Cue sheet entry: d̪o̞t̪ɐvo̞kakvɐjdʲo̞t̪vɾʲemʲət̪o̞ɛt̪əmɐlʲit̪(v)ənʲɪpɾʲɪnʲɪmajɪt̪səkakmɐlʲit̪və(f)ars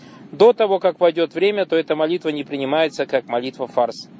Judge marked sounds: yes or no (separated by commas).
yes, yes